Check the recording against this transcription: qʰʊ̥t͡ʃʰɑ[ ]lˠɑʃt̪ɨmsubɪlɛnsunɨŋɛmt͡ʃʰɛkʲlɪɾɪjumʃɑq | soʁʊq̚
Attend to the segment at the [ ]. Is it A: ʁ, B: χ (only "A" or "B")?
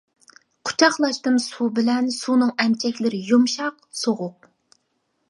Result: B